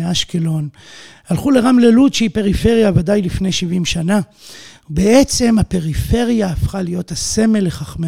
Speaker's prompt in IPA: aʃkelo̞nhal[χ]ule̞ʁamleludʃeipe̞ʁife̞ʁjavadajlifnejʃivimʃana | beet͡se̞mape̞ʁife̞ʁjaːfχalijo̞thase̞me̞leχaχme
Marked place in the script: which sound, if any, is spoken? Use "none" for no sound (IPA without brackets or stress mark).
χ